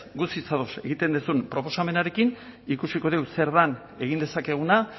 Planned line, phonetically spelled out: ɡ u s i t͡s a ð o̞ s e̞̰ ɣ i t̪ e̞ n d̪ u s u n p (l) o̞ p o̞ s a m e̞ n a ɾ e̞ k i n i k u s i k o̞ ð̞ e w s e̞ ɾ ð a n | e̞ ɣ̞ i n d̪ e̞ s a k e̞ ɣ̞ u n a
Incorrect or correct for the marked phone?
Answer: incorrect: ɾ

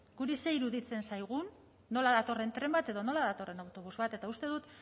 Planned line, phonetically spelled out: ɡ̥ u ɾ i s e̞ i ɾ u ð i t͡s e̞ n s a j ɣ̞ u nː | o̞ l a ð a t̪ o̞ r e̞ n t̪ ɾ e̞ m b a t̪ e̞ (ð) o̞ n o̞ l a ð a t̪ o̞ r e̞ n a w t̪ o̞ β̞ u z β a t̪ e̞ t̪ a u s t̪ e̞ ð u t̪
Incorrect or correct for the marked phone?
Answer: correct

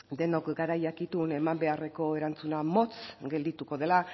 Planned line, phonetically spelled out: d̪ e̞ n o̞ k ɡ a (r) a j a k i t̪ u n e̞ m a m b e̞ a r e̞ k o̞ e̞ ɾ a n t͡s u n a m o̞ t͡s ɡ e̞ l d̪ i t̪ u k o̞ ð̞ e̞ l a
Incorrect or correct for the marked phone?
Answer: incorrect: ɾ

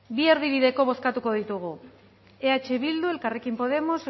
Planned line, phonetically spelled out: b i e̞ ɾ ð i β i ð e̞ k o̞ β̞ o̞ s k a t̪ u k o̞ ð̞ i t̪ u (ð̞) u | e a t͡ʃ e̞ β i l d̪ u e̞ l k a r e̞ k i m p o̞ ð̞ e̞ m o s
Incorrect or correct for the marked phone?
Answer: incorrect: ɣ̞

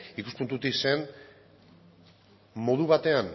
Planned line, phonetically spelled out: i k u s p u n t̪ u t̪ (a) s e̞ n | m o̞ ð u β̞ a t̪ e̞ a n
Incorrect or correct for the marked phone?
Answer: incorrect: i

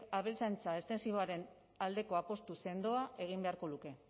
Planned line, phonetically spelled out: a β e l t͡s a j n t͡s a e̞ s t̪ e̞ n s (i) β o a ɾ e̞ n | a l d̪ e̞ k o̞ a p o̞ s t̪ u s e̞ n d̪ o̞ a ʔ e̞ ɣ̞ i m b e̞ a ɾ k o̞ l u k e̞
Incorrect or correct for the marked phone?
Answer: correct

